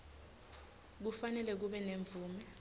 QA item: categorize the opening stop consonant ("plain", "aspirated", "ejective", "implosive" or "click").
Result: plain